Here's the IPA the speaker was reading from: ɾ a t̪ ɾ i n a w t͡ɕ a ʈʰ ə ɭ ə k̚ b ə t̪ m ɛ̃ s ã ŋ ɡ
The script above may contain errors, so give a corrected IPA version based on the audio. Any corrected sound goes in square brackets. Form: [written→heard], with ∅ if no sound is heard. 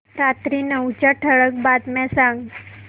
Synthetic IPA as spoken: ɾ a t̪ ɾ i n [a→ə] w t͡ɕ a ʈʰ ə ɭ ə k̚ b [ə→a] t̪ m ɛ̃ s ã ŋ ɡ

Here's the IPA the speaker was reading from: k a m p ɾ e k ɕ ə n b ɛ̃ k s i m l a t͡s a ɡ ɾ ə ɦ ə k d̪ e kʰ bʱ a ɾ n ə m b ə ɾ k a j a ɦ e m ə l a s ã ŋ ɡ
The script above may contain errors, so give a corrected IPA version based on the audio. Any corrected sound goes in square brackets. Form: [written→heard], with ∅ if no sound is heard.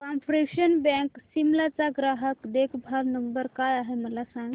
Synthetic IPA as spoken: k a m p ɾ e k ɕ ə n b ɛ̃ k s i m l a t͡s a ɡ ɾ [ə→a] ɦ ə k d̪ e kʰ bʱ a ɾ n ə m b ə ɾ k a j a ɦ e m ə l a s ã ŋ ɡ

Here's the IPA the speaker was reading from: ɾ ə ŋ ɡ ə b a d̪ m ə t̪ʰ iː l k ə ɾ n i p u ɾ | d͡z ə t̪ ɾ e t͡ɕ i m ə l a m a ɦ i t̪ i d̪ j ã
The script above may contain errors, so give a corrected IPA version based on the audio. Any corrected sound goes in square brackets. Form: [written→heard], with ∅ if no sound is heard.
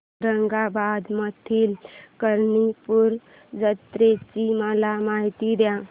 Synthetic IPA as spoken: ɾ ə ŋ ɡ [ə→a] b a d̪ m ə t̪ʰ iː l k ə ɾ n i p u ɾ | d͡z ə t̪ ɾ e t͡ɕ i m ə l a m a ɦ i t̪ i d̪ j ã

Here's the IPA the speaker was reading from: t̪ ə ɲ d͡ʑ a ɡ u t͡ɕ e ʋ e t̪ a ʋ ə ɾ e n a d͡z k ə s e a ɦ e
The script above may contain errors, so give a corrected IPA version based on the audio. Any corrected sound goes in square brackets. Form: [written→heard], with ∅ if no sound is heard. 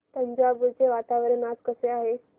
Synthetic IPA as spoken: t̪ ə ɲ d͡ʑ a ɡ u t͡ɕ e ʋ [e→a] t̪ a ʋ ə ɾ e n a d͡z k ə s e a ɦ e

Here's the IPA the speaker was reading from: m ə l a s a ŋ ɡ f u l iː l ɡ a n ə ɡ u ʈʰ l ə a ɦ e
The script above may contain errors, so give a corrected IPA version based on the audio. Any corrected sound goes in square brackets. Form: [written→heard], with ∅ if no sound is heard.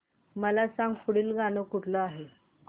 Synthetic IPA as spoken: m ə l a s a ŋ ɡ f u [l→ɽ] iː l ɡ a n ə [ɡ→k] u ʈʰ l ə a ɦ e

